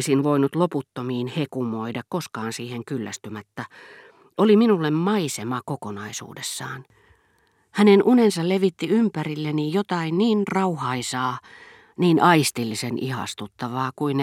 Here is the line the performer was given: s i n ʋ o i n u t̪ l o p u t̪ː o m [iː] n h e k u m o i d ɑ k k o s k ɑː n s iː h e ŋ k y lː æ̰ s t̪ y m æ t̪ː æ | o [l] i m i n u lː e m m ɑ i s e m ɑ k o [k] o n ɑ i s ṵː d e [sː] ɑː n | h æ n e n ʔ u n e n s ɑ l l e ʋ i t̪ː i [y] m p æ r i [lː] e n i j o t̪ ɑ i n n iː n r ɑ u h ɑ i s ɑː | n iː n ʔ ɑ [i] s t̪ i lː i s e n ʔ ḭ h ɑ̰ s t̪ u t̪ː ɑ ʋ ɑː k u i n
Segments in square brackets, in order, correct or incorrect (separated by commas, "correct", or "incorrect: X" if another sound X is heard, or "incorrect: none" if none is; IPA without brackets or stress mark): correct, correct, correct, correct, correct, correct, correct